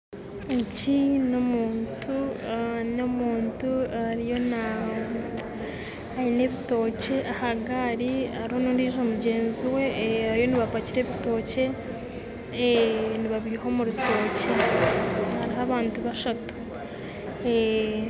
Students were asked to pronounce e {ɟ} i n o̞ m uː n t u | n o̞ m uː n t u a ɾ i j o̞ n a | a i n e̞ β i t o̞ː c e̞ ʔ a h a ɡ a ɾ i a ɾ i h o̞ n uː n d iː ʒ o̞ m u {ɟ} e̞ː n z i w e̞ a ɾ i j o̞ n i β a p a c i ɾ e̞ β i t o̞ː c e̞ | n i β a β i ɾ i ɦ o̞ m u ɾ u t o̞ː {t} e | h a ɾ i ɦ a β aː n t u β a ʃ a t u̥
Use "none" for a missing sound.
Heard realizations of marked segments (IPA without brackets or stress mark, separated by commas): c, ɟ, c